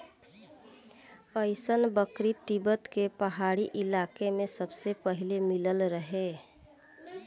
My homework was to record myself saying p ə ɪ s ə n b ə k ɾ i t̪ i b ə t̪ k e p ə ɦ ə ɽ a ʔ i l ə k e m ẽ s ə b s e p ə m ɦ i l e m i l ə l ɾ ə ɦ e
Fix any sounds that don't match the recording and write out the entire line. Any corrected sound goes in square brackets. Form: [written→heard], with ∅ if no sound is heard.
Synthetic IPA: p ə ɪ s ə n b ə k ɾ i t̪ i b ə t̪ k e p ə ɦ [ə→a] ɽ [a→i] ʔ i l [ə→a] k e m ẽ s ə b s e p ə [m→∅] ɦ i l e m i l ə l ɾ ə ɦ e